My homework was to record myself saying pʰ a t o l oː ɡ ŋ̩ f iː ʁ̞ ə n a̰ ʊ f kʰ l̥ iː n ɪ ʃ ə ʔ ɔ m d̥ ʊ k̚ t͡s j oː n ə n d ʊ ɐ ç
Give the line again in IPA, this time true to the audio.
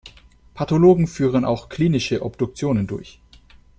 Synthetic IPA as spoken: pʰ a t o l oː ɡ ŋ̩ f yː ʁ̞ ə n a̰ ʊ x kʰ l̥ iː n ɪ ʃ ə ʔ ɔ b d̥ ʊ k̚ t͡s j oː n ə n d ʊ ɐ ç

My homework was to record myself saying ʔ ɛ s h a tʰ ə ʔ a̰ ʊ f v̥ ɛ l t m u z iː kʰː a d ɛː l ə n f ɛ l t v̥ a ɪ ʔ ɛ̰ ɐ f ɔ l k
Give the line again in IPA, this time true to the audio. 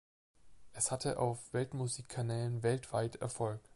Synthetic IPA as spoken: ʔ ɛ s h a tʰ ə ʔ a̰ ʊ f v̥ ɛ l t m u z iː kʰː a n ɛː l ə n v ɛ l t v̥ a ɪ t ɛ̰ ɐ f ɔ l k

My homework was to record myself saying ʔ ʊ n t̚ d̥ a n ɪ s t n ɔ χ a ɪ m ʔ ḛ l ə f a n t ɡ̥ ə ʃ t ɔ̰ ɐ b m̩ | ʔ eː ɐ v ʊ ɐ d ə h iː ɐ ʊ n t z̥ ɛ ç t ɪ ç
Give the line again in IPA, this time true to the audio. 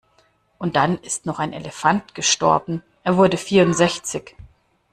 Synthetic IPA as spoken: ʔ ʊ n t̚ d̥ a n ɪ s t n ɔ χ a ɪ n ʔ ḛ l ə f a n t ɡ̥ ə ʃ t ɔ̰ ɐ b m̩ | ʔ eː ɐ v ʊ ɐ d ə f iː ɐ ʊ n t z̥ ɛ ç t͡s ɪ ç

